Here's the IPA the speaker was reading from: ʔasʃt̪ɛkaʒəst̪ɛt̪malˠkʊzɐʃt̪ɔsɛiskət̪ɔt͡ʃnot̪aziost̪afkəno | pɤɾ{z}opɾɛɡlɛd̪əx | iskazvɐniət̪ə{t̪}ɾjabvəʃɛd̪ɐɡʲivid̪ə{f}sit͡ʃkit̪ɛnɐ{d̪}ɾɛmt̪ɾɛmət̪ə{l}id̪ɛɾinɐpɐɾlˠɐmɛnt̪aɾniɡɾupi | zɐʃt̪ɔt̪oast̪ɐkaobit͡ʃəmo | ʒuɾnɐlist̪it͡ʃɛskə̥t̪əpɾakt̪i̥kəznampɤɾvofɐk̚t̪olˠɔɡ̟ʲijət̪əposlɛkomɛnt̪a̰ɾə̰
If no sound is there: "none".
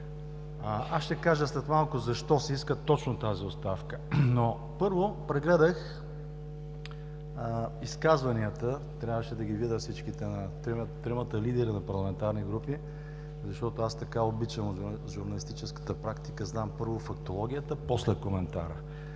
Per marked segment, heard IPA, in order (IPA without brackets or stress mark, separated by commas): v, t̪, f, t̪, l